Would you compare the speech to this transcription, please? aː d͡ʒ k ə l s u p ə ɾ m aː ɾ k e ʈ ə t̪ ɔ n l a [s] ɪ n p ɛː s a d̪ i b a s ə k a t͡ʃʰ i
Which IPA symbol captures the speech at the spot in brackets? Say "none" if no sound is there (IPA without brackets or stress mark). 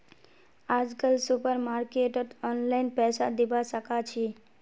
none